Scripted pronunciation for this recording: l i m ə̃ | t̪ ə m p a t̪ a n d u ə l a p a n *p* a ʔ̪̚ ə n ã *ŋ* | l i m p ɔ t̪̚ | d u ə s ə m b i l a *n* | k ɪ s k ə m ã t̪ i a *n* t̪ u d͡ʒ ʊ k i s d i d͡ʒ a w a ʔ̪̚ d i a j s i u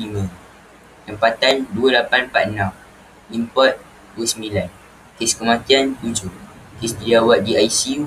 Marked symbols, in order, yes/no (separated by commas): yes, no, yes, yes